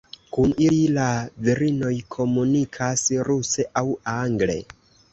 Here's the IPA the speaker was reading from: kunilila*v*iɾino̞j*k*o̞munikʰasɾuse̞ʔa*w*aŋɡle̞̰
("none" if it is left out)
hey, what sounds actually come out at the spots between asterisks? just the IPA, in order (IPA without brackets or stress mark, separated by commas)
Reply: v, kʰ, w